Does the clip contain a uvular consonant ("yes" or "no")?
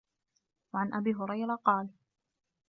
yes